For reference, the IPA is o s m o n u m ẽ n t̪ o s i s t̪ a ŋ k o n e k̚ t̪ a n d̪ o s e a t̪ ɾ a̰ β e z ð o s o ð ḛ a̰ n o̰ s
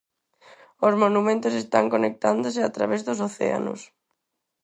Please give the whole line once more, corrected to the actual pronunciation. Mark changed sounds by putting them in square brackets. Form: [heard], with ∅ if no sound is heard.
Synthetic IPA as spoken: o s m o n u m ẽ n t̪ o s [e] s t̪ a ŋ k o n e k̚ t̪ a n d̪ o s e a t̪ ɾ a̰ β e z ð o s o [θ] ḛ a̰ n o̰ s